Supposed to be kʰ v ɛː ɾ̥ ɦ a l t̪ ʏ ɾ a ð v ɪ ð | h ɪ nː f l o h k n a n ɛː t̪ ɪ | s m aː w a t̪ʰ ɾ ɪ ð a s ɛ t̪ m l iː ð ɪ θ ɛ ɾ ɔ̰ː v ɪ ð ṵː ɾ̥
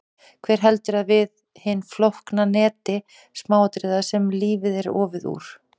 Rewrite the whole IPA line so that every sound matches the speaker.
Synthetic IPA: kʰ v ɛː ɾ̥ ɦ ɛ l t̪ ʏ ɾ a ð v ɪ ð | h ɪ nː f l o h k n a n ɛː t̪ ɪ | s m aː w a t̪ ɾ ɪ ð a s ɛ m l iː v ɪ ð ɛ ɾ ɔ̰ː v ɪ ð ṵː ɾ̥